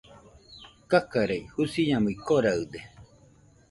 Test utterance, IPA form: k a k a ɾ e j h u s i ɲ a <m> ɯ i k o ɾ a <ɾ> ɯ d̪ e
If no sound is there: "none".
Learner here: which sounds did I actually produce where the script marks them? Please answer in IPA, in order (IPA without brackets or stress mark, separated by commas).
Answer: m, none